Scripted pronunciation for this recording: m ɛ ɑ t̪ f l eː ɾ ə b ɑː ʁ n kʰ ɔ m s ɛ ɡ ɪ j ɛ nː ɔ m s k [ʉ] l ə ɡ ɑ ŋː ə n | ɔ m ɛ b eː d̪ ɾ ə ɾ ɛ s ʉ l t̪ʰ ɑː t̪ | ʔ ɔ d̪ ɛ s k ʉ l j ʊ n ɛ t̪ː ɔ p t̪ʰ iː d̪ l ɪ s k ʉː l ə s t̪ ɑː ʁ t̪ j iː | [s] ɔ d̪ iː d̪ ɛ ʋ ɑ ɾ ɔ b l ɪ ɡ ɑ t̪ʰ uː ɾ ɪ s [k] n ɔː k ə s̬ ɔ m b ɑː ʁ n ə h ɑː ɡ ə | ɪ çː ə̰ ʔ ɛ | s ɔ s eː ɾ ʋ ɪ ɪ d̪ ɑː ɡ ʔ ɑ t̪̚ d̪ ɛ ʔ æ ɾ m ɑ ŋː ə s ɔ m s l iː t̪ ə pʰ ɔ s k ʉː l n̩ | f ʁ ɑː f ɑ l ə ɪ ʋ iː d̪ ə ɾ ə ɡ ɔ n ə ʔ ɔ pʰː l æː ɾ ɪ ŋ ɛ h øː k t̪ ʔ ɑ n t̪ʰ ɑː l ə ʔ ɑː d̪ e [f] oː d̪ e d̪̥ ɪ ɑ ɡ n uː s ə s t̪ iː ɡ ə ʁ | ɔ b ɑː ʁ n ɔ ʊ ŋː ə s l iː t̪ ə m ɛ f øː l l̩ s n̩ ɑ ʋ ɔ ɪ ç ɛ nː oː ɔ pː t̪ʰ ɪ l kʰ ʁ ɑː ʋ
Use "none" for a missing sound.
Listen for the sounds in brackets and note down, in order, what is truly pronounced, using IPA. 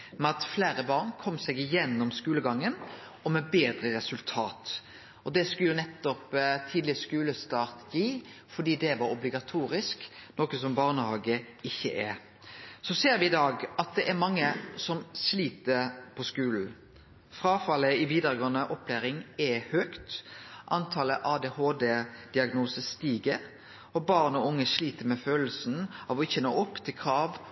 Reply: ʉː, f, k, h

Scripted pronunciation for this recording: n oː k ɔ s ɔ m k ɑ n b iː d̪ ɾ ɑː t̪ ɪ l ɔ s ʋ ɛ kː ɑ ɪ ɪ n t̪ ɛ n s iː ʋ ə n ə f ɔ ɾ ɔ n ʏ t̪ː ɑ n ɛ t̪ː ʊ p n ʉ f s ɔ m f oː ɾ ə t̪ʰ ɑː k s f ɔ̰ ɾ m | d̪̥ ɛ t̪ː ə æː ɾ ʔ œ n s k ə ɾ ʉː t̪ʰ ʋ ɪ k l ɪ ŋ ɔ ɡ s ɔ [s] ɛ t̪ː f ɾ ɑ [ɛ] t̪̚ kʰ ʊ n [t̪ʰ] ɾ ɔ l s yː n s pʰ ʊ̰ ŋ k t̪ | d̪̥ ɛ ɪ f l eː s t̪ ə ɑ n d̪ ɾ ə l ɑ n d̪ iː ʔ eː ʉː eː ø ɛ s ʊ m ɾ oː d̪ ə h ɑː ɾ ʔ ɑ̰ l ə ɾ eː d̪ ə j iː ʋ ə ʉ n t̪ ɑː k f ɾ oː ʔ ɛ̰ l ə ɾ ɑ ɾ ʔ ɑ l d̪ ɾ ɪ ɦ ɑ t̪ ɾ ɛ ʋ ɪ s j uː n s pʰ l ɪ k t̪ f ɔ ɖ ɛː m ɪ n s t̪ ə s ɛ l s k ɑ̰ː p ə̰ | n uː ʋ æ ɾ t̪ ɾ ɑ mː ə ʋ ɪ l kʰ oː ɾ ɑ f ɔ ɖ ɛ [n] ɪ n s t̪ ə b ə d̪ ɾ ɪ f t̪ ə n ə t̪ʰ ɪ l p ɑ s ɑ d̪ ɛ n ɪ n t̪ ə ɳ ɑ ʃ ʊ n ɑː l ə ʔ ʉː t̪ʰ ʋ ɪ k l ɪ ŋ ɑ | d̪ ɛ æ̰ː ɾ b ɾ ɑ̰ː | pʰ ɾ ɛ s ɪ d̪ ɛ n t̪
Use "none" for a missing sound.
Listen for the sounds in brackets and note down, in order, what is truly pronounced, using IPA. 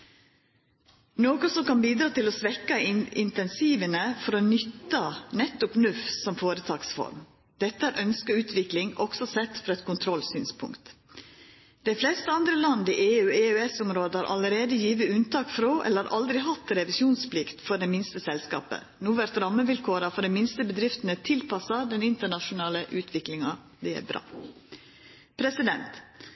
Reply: s, ɛ, t̪ʰ, m

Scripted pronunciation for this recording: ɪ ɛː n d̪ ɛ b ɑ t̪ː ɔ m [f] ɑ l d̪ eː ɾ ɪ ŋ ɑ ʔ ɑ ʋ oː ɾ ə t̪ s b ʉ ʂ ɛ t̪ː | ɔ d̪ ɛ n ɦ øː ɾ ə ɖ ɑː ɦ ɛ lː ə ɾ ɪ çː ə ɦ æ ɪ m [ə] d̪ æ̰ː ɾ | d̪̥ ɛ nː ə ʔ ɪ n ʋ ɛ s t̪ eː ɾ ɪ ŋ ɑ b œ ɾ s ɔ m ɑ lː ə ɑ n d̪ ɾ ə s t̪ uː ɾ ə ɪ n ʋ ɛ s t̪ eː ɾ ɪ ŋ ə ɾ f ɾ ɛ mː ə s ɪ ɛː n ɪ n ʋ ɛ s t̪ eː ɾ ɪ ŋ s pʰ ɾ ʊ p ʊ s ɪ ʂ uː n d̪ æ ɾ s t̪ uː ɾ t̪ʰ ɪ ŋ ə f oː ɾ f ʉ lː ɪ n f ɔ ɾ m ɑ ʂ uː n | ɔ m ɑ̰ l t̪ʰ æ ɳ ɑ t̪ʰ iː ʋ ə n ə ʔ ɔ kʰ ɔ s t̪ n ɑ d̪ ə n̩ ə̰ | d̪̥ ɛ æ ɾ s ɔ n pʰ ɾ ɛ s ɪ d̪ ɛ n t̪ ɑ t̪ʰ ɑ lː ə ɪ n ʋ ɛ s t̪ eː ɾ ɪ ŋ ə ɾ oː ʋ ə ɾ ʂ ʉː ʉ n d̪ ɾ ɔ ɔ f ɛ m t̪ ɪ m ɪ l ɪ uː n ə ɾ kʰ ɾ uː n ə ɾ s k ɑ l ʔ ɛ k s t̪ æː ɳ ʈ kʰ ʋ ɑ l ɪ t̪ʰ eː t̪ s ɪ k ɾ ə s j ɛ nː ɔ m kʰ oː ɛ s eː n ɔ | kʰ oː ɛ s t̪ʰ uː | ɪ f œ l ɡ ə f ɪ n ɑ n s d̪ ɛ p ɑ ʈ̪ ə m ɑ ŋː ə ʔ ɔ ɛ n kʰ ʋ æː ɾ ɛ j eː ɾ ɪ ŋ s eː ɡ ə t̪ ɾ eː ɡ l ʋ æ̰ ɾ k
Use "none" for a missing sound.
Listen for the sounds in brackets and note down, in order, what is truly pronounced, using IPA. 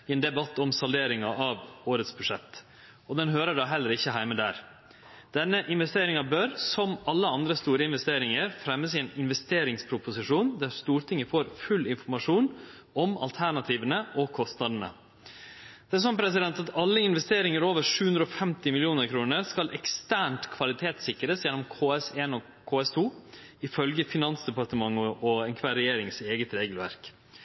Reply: s, ə

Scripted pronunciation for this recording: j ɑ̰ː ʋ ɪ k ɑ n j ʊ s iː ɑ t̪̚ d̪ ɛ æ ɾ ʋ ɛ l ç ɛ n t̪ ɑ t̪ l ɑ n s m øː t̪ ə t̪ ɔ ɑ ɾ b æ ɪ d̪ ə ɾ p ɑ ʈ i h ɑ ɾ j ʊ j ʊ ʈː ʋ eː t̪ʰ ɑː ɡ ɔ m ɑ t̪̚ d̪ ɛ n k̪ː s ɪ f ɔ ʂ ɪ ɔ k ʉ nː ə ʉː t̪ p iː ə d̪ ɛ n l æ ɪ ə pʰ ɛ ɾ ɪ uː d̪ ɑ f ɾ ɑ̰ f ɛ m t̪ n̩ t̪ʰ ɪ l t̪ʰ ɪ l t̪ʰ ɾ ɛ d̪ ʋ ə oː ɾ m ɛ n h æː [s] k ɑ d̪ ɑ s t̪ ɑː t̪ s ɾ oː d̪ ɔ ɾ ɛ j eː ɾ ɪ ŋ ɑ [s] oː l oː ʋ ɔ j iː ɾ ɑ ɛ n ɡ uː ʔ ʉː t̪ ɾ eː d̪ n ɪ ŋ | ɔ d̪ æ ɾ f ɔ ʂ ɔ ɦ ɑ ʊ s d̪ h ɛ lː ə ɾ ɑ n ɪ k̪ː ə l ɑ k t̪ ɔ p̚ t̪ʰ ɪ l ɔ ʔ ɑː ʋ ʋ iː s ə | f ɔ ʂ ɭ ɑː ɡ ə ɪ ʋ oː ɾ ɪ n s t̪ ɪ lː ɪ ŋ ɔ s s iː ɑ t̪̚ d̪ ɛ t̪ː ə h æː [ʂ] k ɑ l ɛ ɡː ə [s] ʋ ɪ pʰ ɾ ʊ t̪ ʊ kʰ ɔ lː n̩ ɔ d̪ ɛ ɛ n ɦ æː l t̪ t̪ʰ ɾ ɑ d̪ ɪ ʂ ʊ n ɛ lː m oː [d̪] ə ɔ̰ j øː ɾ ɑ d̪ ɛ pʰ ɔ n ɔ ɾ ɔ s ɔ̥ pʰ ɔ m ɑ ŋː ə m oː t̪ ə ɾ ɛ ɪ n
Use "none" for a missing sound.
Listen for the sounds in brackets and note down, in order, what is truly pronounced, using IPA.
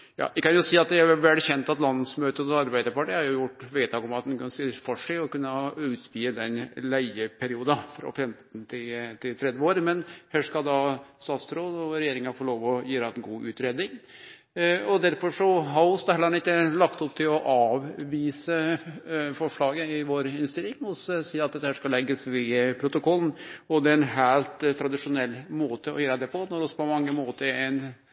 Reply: ʂ, f, ʂ, s, t̪

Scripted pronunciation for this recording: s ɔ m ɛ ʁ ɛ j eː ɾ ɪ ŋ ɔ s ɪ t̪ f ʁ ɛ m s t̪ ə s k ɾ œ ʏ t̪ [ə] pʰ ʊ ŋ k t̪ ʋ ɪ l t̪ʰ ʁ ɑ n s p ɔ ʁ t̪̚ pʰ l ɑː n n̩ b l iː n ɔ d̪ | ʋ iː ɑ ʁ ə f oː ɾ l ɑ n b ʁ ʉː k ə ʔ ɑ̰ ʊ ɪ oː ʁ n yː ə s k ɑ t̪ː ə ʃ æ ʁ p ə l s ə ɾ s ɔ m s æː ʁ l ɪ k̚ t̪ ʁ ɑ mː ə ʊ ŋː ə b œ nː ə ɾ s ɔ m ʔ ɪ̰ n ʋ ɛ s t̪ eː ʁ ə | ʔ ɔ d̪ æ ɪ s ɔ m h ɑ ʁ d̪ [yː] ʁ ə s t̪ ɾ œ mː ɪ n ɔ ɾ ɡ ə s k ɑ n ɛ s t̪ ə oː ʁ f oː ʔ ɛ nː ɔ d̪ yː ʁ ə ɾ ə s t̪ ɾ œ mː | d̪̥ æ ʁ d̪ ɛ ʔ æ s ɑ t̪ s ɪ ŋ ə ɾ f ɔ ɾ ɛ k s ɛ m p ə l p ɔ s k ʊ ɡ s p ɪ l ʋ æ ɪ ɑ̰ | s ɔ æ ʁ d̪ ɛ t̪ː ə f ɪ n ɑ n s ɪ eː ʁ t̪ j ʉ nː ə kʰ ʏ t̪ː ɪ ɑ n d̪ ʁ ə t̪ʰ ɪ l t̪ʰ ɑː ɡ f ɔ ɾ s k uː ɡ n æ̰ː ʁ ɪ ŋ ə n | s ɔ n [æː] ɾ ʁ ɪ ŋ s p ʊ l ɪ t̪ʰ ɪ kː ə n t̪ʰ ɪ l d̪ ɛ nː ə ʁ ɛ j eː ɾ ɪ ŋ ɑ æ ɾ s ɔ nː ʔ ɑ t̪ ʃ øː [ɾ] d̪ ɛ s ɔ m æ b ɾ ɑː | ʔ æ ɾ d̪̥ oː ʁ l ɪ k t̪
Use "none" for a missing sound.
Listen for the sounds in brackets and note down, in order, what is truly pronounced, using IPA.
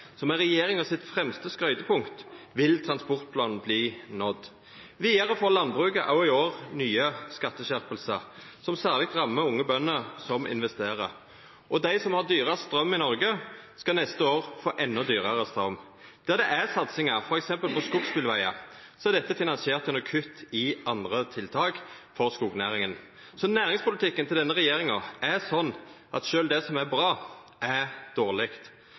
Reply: ə, yː, æː, l

